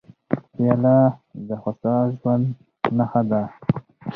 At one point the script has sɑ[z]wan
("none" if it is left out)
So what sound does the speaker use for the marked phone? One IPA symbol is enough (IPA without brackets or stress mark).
ʒ